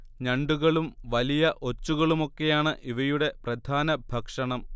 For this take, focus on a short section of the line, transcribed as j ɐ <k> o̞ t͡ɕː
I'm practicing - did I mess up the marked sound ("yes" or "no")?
yes